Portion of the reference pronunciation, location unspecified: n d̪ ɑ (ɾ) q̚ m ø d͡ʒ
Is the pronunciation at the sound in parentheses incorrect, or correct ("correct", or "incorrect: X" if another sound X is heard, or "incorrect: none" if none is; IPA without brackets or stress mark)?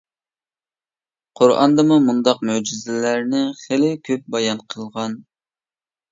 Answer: incorrect: none